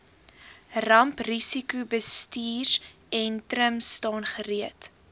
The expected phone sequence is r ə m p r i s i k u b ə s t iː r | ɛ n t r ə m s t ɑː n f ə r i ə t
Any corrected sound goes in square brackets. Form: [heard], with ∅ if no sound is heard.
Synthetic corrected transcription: r [ɐ] m p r i s i k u b ə s t iː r | ɛ n t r ə m s t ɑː n [χ] ə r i ə t